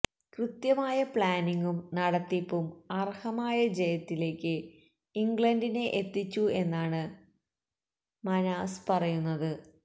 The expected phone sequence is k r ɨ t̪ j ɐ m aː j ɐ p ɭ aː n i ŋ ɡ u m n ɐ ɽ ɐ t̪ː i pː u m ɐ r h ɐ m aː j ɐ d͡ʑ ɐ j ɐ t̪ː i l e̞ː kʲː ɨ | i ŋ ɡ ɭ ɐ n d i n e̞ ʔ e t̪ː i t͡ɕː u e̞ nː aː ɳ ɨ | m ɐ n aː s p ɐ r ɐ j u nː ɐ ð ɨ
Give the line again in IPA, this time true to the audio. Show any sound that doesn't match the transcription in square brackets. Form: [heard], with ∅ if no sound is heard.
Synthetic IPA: k r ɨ t̪ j ɐ m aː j ɐ p ɭ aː n i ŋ ɡ u m n ɐ ɽ ɐ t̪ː i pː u m ɐ r h ɐ m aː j ɐ d͡ʑ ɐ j ɐ t̪ː i l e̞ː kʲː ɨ | i ŋ ɡ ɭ ɐ n d i n e̞ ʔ e t̪ː i t͡ɕː u e̞ nː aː ɳ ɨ | m ɐ n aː s p ɐ r ɐ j u nː ɐ ð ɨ

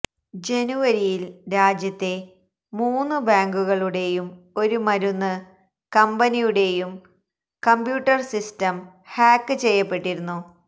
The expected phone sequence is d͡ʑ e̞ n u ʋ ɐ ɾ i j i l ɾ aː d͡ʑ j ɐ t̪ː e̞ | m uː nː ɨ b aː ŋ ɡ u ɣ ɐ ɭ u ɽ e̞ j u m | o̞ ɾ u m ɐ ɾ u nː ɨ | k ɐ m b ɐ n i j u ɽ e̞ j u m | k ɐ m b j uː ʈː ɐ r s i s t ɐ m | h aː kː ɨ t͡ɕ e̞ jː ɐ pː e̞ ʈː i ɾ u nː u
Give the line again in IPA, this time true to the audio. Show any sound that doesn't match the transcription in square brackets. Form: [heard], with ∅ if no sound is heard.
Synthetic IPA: d͡ʑ e̞ n u ʋ ɐ ɾ i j i l ɾ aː d͡ʑ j ɐ t̪ː e̞ | m uː nː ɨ b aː ŋ ɡ u ɣ ɐ ɭ u ɽ e̞ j u m | o̞ ɾ u m ɐ ɾ u nː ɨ | k ɐ m b ɐ n i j u ɽ e̞ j u m | k ɐ m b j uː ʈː ɐ r s i s t ɐ m | h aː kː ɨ t͡ɕ e̞ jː ɐ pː e̞ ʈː i ɾ u nː u

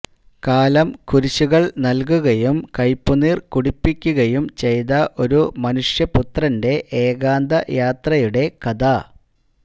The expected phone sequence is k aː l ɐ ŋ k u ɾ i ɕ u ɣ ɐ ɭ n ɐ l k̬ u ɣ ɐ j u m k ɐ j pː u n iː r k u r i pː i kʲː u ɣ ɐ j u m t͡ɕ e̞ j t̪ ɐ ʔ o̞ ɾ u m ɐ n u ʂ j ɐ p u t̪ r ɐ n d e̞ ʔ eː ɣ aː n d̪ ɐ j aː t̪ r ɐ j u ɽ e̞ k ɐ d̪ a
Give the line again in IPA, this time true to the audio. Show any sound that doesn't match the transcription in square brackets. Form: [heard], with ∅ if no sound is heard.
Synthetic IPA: k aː l ɐ [m] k u ɾ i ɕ u ɣ ɐ ɭ n ɐ l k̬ u ɣ ɐ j u m k ɐ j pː u n iː r k u [ɽ] i pː i kʲː u ɣ ɐ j u m t͡ɕ e̞ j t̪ ɐ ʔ o̞ ɾ u m ɐ n u ʂ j ɐ p u t̪ r ɐ n d e̞ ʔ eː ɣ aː n d̪ ɐ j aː t̪ r ɐ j u ɽ e̞ k ɐ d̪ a

